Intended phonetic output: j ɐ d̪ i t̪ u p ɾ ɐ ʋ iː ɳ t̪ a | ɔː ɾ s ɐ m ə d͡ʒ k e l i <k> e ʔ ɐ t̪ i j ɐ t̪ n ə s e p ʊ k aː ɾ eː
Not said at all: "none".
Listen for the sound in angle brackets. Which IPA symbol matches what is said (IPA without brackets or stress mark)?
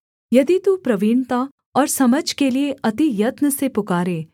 none